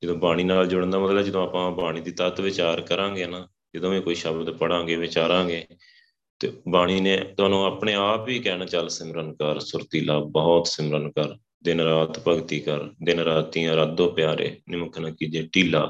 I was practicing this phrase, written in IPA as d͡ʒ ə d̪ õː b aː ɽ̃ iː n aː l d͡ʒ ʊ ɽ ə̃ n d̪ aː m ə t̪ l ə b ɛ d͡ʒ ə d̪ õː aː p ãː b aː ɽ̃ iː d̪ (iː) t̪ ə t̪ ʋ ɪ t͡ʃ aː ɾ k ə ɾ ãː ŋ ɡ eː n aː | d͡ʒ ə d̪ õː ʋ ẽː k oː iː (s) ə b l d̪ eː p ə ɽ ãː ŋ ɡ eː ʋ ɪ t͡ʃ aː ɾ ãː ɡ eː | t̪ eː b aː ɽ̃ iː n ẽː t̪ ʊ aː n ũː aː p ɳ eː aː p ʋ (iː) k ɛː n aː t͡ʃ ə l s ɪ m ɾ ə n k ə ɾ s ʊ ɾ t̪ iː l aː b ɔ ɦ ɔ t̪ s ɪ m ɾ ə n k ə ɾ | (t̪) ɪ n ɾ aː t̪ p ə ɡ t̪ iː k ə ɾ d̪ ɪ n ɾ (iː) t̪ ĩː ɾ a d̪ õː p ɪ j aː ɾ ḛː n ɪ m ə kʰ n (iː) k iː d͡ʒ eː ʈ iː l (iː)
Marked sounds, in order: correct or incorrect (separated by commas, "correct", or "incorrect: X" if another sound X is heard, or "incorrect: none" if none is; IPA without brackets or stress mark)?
correct, incorrect: ʃ, correct, incorrect: d̪, incorrect: aː, incorrect: aː, incorrect: aː